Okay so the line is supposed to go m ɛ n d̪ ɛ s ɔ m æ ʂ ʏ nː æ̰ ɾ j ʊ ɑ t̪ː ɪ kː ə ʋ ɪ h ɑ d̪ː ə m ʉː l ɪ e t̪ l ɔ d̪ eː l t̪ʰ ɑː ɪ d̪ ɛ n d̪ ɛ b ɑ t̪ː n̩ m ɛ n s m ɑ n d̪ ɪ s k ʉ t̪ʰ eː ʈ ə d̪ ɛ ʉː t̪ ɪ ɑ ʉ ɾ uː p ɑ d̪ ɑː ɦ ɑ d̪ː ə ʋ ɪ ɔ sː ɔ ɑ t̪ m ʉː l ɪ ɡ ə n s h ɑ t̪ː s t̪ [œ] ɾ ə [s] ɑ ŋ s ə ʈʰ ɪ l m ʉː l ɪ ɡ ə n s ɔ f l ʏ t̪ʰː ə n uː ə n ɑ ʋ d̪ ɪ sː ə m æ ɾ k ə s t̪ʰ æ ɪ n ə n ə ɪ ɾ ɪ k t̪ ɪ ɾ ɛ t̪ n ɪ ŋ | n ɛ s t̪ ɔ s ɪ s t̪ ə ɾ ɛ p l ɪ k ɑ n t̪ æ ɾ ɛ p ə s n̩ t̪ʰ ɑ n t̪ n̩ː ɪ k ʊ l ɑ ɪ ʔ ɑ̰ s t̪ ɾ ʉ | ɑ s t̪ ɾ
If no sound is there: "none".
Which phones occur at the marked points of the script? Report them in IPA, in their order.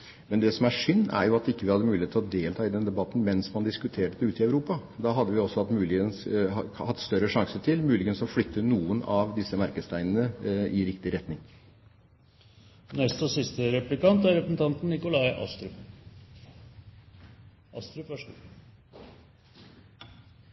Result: œ, ʂ

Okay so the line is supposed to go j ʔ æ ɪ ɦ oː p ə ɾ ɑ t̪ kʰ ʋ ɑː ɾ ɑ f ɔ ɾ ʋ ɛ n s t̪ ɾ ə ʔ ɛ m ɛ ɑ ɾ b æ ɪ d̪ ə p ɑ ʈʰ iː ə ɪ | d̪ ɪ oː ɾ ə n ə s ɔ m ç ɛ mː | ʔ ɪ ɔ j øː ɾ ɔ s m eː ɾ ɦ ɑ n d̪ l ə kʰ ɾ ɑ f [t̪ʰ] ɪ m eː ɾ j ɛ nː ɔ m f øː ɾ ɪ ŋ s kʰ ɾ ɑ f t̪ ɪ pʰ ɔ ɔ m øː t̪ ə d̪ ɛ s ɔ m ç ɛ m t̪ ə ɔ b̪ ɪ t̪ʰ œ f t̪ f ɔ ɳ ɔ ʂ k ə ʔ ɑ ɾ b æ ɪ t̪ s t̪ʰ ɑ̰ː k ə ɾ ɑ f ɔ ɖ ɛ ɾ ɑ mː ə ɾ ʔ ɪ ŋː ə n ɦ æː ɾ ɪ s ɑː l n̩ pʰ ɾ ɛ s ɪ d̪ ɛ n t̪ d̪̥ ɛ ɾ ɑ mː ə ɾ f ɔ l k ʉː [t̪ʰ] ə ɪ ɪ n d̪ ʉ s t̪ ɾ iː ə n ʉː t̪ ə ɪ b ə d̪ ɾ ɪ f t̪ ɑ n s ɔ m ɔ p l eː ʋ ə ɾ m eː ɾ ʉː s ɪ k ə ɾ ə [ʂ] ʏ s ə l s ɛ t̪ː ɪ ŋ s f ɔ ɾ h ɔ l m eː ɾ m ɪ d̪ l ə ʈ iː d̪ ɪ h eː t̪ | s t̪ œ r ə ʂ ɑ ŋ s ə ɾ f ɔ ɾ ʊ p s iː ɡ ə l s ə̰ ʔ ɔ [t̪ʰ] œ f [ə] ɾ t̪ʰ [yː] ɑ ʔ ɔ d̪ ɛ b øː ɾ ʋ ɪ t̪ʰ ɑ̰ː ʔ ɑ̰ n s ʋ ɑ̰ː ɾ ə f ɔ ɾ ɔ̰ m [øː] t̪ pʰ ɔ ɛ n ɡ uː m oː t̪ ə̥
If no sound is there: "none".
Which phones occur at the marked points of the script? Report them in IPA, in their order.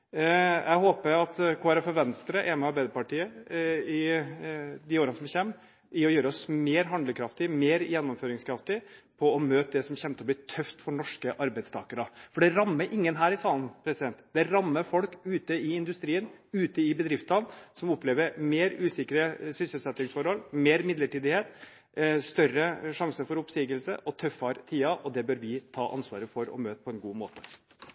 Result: t̪, t̪, s, t̪ʰ, ɑ, iː, øː

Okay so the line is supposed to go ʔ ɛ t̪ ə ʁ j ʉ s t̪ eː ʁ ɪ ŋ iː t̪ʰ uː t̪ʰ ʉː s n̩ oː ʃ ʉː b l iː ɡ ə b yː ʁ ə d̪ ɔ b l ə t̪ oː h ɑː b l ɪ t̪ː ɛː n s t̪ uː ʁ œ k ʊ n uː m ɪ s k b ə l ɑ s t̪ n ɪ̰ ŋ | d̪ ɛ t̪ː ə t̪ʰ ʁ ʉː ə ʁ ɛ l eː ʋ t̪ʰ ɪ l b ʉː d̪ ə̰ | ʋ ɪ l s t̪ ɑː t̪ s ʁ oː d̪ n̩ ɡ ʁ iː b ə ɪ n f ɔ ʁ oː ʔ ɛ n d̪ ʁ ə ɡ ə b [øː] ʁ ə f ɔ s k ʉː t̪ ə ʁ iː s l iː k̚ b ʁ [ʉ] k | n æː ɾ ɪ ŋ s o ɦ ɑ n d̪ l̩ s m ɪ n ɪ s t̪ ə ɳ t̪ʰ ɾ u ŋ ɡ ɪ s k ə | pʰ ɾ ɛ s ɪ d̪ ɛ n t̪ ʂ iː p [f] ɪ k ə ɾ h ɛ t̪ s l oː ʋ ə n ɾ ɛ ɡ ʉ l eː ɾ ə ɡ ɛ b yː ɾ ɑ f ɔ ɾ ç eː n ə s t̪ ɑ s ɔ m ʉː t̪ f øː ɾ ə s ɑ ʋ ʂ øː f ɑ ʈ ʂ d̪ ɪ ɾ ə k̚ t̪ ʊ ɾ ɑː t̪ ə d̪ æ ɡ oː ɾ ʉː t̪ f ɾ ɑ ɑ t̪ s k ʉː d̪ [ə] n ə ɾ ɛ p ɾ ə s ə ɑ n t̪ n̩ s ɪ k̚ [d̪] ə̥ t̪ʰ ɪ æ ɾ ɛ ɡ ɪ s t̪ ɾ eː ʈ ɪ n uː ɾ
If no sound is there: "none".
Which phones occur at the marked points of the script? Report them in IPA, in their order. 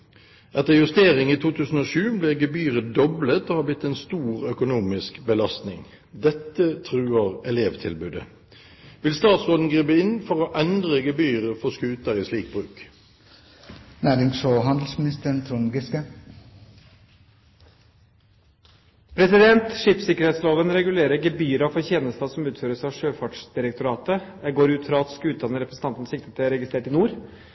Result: yː, ʉː, s, ɑ, t̪

